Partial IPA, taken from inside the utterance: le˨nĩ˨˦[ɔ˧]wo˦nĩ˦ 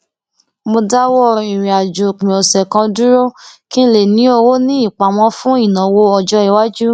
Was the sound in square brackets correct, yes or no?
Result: no